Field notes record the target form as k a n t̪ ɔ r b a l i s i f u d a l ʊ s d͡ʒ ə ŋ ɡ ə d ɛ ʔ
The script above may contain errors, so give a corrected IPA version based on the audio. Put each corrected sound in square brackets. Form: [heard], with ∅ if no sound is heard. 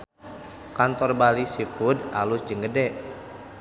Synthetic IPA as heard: k a n t̪ ɔ r b a l i s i f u d a l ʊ s d͡ʒ ə ŋ ɡ ə d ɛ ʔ